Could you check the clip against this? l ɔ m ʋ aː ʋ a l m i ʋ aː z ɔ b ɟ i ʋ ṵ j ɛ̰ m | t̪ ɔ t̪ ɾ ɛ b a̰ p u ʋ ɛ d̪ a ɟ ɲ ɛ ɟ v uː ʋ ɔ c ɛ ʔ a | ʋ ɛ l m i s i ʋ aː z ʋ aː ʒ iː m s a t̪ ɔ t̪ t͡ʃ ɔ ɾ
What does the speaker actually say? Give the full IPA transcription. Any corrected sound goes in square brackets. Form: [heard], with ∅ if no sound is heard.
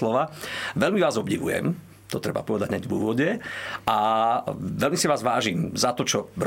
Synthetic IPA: l ɔ [∅] ʋ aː ʋ [ɛ] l m i ʋ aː z ɔ b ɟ i ʋ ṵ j ɛ̰ m | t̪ ɔ t̪ ɾ ɛ b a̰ p [ɔ] ʋ ɛ d̪ a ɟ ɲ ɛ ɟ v uː ʋ ɔ [ɟ] ɛ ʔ a | ʋ ɛ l m i s i ʋ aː z ʋ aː ʒ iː m [z] a t̪ ɔ [∅] t͡ʃ ɔ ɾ